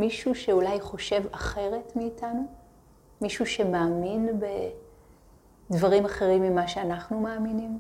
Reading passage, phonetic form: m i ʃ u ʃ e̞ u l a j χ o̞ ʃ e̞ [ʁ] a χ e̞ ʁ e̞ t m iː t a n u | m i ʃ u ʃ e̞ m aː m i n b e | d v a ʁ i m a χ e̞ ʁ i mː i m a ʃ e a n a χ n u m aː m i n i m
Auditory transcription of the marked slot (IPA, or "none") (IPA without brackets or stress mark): v